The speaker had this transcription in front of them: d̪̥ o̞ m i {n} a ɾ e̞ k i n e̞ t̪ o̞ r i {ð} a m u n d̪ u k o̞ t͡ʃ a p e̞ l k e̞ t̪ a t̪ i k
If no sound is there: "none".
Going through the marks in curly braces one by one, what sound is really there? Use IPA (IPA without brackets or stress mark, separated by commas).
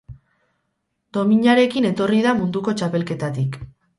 ɲ, ð